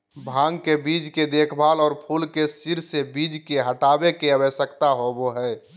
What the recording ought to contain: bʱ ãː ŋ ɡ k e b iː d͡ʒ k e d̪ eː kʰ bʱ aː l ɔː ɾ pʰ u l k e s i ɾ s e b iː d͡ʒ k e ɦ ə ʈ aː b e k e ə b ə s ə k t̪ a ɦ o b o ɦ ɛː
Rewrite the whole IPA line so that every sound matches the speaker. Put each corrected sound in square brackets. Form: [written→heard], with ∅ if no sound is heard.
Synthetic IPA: bʱ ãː ŋ ɡ k e b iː d͡ʒ k e d̪ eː kʰ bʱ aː l ɔː ɾ pʰ u l k e s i ɾ s e b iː d͡ʒ k e ɦ ə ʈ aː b e k e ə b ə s ə k t̪ a ɦ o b o ɦ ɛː